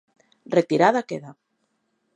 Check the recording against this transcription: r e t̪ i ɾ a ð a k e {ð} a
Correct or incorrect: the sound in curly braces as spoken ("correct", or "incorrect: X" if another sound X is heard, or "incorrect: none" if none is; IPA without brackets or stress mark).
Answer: correct